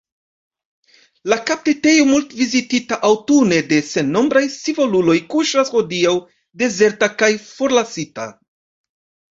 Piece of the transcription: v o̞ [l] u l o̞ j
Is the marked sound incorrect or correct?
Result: correct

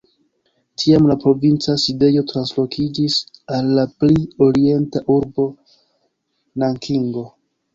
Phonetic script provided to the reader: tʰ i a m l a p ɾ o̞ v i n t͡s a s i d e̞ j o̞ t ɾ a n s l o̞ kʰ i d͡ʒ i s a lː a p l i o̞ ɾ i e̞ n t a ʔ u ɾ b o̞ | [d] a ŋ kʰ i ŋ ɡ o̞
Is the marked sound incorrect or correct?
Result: incorrect: n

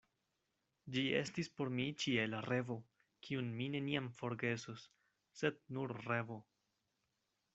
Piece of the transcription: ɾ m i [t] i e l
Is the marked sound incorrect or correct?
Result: incorrect: t͡ʃ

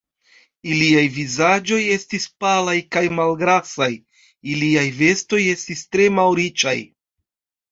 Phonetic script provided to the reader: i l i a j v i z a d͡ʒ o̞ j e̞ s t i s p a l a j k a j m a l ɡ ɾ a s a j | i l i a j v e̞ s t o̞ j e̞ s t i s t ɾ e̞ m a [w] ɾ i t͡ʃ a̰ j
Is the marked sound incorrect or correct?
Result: correct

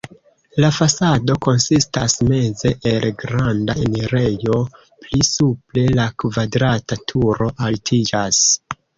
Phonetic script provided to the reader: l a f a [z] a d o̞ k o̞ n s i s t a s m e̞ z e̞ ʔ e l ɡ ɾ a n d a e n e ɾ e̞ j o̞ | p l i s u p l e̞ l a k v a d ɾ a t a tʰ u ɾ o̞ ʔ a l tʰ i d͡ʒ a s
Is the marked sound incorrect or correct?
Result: incorrect: s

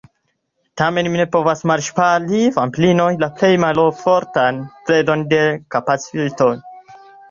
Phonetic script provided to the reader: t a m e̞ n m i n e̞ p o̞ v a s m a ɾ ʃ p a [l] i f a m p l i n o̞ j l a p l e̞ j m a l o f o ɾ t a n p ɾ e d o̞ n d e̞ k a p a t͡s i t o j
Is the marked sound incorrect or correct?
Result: correct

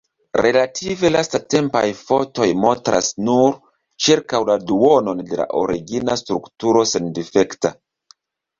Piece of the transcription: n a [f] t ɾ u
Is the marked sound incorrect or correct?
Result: incorrect: s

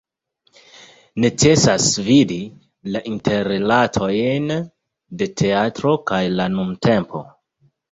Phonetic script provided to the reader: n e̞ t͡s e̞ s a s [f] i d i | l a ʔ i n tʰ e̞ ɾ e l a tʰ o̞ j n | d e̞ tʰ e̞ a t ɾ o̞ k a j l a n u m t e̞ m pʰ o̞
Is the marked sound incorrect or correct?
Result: incorrect: v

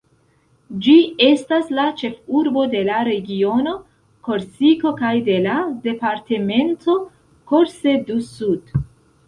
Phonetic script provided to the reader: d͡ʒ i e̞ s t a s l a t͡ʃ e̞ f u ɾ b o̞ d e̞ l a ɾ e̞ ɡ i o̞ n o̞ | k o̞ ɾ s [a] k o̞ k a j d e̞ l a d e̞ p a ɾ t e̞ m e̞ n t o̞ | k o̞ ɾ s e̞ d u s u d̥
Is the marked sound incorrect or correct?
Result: incorrect: i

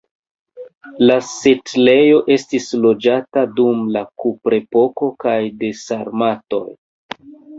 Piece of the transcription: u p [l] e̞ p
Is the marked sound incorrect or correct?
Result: incorrect: ɾ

